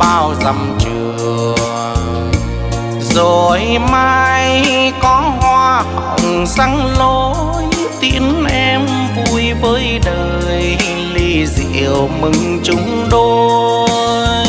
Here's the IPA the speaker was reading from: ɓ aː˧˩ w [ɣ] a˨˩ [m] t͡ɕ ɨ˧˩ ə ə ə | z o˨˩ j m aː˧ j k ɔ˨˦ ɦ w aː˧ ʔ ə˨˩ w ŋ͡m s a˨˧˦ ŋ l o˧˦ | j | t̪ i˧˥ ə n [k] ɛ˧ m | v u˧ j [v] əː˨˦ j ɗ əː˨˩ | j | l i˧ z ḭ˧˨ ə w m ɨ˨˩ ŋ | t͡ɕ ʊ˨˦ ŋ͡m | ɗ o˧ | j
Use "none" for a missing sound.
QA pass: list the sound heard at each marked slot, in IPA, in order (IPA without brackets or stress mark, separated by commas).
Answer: z, m, ʔ, v